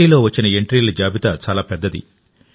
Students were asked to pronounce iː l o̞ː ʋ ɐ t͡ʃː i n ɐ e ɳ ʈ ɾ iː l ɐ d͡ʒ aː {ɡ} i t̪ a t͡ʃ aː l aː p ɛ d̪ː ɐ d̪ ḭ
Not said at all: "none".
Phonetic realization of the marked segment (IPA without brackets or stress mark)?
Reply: b